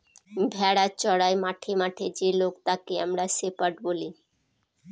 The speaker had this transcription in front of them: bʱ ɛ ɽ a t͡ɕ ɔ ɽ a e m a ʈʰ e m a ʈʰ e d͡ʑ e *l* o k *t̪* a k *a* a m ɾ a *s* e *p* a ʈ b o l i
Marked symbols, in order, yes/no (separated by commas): yes, yes, no, yes, yes